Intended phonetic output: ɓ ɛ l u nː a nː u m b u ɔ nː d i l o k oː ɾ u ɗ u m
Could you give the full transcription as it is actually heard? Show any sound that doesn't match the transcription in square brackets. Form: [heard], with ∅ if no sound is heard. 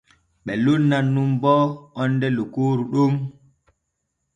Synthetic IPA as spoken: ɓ ɛ l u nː a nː u m b [ɔ] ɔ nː d [ɛ] l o k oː ɾ u ɗ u m